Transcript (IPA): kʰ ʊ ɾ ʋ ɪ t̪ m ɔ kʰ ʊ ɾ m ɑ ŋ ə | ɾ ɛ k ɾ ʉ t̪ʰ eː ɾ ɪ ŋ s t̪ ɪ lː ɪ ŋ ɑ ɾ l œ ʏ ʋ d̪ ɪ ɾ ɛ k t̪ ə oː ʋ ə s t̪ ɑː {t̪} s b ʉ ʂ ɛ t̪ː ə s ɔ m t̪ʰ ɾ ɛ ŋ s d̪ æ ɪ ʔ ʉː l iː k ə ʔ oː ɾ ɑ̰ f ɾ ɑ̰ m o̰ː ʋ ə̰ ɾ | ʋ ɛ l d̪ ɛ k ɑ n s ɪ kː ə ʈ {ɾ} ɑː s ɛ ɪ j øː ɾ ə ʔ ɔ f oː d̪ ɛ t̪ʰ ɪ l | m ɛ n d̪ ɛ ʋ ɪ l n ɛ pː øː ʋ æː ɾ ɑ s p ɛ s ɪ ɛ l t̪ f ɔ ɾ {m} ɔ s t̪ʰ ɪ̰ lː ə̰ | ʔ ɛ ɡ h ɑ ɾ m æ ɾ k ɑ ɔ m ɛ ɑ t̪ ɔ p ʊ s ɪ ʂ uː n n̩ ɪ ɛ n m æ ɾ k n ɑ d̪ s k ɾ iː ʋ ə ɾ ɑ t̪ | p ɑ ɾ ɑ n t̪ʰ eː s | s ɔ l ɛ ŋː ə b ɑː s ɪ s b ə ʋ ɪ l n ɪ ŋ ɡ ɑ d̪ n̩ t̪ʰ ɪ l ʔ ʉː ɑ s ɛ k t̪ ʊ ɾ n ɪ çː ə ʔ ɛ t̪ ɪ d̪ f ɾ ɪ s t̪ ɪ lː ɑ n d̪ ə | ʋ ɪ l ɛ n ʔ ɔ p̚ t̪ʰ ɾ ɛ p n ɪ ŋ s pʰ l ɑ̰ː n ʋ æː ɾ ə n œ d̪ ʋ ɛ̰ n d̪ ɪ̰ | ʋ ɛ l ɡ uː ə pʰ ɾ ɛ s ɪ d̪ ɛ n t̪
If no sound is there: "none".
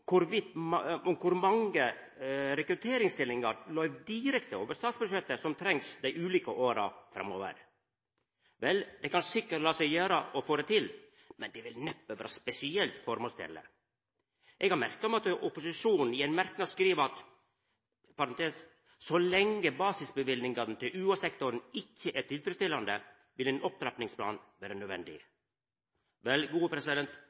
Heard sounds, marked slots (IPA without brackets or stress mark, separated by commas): t̪, l, m